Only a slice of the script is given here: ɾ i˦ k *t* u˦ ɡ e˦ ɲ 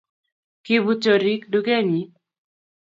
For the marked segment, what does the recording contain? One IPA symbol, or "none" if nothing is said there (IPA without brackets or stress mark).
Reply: d